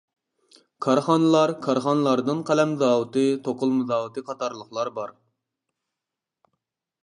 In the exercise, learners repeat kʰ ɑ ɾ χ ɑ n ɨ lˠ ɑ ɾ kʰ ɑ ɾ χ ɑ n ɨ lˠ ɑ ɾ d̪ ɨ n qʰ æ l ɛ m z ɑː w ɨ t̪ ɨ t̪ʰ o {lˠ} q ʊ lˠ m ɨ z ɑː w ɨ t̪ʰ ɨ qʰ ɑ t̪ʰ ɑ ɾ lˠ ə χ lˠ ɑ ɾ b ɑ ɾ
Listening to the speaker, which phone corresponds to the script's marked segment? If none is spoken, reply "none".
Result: none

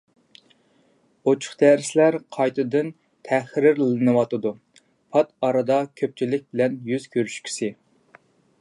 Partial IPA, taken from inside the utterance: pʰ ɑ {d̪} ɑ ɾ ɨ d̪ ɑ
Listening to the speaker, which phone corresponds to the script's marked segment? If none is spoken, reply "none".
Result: t̪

